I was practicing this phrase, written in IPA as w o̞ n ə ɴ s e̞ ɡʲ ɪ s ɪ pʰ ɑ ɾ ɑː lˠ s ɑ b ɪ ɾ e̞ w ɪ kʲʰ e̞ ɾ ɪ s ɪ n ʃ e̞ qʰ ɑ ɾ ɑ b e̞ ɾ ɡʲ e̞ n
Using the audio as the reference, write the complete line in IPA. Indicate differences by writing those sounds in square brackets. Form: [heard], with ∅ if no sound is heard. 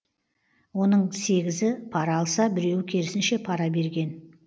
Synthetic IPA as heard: w o̞ n ə ɴ s e̞ ɡʲ ɪ [z] ɪ pʰ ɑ ɾ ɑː lˠ s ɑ b ɪ ɾ e̞ w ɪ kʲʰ e̞ ɾ ɪ s ɪ n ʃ e̞ [pʰ] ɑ ɾ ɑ b e̞ ɾ ɡʲ e̞ n